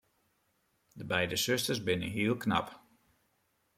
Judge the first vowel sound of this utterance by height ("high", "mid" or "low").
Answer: mid